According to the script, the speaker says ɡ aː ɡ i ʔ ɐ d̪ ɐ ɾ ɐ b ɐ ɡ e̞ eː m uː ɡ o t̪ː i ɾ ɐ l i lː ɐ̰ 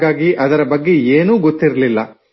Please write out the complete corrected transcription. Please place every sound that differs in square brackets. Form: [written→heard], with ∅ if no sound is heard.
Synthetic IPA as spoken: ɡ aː ɡ i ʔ ɐ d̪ ɐ ɾ ɐ b ɐ [ɡ→ɡː] e̞ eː [m→n] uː ɡ o t̪ː i ɾ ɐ l i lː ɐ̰

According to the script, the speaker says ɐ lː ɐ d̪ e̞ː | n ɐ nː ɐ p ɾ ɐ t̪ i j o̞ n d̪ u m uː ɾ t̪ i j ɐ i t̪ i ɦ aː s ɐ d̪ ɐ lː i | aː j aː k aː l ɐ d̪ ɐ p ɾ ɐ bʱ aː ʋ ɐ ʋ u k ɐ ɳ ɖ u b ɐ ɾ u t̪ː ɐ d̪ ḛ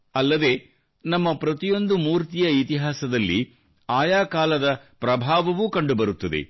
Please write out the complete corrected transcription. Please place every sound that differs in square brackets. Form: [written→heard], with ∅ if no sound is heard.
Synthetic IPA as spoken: ɐ lː ɐ d̪ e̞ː | n ɐ [nː→mː] ɐ p ɾ ɐ t̪ i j o̞ n d̪ u m uː ɾ t̪ i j ɐ i t̪ i ɦ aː s ɐ d̪ ɐ lː i | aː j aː k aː l ɐ d̪ ɐ p ɾ ɐ bʱ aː ʋ ɐ ʋ u k ɐ ɳ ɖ u b ɐ ɾ u t̪ː ɐ d̪ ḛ

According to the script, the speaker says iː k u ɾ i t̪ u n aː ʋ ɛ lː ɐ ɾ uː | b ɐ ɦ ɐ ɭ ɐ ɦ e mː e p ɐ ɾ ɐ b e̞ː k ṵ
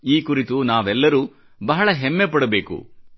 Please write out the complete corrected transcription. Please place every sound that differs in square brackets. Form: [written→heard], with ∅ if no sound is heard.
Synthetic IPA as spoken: iː k u ɾ i t̪ u n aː ʋ ɛ lː ɐ ɾ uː | b ɐ ɦ ɐ ɭ ɐ ɦ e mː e p ɐ [ɾ→ɽ] ɐ b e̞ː k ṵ

